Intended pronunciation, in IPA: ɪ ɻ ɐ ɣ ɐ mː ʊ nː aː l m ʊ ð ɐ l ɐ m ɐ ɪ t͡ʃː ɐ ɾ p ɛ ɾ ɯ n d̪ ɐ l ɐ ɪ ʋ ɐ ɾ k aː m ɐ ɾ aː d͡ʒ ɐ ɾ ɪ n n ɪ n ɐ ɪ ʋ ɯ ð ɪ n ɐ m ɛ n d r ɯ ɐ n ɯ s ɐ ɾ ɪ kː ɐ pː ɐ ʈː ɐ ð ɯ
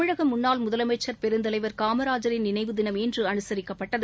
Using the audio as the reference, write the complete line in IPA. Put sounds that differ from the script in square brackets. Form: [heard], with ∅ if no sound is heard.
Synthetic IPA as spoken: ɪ ɻ ɐ ɣ ɐ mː ʊ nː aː l m ʊ ð ɐ l ɐ m ɐ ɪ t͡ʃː ɐ ɾ p ɛ ɾ ɯ n d̪ ɐ l ɐ ɪ ʋ ɐ ɾ k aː m ɐ ɾ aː d͡ʒ ɐ ɾ ɪ n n ɪ n ɐ ɪ ʋ ɯ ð ɪ n ɐ m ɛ n d r ɯ ɐ n ɯ s ɐ ɾ ɪ kː ɐ pː ɐ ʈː ɐ ð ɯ

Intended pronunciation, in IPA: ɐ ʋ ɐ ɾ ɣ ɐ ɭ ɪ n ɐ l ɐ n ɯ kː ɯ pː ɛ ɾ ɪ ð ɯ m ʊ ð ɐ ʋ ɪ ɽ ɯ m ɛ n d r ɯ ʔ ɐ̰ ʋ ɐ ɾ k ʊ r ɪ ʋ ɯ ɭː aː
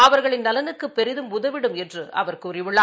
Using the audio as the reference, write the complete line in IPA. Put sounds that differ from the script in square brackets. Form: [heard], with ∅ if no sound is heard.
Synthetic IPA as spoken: ɐ ʋ ɐ ɾ ɣ ɐ ɭ ɪ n ɐ l ɐ n ɯ kː ɯ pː ɛ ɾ ɪ ð ɯ m ʊ ð ɐ ʋ ɪ ɽ ɯ m ɛ n d r ɯ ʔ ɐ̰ ʋ ɐ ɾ k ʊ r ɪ ʋ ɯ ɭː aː

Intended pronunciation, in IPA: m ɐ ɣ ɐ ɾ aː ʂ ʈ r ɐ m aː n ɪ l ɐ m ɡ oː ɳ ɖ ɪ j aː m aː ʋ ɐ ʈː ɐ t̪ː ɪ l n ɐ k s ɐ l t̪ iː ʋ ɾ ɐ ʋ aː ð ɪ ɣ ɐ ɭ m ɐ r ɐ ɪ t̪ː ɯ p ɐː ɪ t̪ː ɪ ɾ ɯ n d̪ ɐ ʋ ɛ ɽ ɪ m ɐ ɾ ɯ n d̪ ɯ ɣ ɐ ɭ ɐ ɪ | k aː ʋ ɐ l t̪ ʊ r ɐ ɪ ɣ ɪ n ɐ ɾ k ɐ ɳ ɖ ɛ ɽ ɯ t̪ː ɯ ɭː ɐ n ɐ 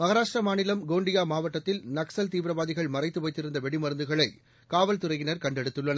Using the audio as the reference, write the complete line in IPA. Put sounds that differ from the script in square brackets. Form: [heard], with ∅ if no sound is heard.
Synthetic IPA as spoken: m ɐ ɣ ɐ ɾ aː ʂ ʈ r ɐ m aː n ɪ l ɐ m ɡ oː ɳ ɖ ɪ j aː m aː ʋ ɐ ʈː ɐ t̪ː ɪ l n ɐ k s ɐ l t̪ iː ʋ ɾ ɐ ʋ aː ð ɪ ɣ ɐ ɭ m ɐ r ɐ ɪ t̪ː ɯ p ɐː ɪ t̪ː ɪ ɾ ɯ n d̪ ɐ ʋ ɛ ɽ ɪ m ɐ ɾ ɯ n d̪ ɯ ɣ ɐ ɭ ɐ ɪ | k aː ʋ ɐ l t̪ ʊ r ɐ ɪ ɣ ɪ n ɐ ɾ k ɐ ɳ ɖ ɛ ɽ ɯ t̪ː ɯ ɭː ɐ n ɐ

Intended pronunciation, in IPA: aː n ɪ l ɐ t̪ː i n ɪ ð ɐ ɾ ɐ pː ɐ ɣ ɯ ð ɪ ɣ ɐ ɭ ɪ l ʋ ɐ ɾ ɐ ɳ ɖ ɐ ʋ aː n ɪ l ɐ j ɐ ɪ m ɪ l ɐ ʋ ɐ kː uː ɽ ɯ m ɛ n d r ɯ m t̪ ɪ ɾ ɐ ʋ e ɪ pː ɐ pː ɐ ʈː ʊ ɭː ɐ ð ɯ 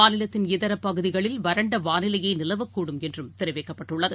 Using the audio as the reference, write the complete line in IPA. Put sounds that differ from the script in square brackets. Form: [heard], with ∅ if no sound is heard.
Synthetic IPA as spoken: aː n ɪ l ɐ t̪ː [ɪ] n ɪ ð ɐ ɾ ɐ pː ɐ ɣ ɯ ð ɪ ɣ ɐ ɭ ɪ l ʋ ɐ ɾ ɐ ɳ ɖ ɐ ʋ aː n ɪ l ɐ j ɐ ɪ [n] ɪ l ɐ ʋ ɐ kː uː ɽ ɯ m ɛ n d r ɯ m t̪ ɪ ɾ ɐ ʋ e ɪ [kː] ɐ pː ɐ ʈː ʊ ɭː ɐ ð ɯ

